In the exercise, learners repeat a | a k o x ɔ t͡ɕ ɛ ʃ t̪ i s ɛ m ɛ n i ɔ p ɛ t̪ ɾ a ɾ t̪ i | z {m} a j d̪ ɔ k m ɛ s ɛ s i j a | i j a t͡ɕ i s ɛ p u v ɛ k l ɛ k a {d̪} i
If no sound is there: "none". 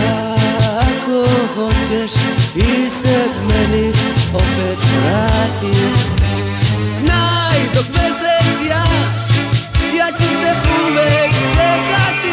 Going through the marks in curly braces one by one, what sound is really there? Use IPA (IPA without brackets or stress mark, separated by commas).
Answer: n, t̪